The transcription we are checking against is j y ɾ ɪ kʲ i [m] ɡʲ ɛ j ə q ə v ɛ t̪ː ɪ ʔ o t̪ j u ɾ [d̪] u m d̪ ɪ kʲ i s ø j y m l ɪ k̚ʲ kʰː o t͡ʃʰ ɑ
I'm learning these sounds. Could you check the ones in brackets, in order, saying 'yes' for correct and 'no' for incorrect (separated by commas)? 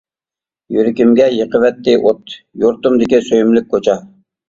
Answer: yes, no